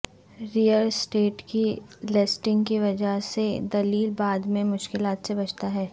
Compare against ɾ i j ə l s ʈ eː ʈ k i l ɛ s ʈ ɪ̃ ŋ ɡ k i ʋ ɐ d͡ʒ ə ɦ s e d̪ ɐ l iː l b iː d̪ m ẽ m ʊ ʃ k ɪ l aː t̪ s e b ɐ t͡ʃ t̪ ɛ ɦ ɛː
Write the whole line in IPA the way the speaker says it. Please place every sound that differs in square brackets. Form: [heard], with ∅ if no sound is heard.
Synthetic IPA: ɾ i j ə l s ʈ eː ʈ k i l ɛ s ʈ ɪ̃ ŋ ɡ k i ʋ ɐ d͡ʒ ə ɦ s e d̪ ɐ l iː l b [aː] d̪ m ẽ m ʊ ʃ k ɪ l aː t̪ s e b ɐ t͡ʃ t̪ [a] ɦ ɛː